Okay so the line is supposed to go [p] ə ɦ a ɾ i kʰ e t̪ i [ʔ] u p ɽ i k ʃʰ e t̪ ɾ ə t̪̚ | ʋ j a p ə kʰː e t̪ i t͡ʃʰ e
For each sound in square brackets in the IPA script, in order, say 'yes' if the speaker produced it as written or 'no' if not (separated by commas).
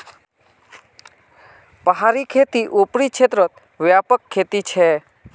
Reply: yes, yes